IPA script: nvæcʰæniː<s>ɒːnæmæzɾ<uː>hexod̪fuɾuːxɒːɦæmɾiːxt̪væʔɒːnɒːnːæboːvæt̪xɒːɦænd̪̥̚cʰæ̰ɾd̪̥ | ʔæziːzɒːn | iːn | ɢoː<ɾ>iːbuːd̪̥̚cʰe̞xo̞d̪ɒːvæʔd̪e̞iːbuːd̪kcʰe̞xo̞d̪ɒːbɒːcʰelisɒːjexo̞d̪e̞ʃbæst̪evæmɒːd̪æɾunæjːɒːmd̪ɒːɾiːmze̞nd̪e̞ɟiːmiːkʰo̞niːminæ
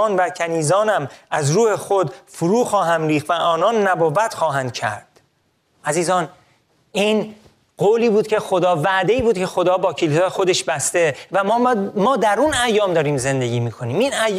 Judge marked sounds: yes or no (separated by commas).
no, yes, no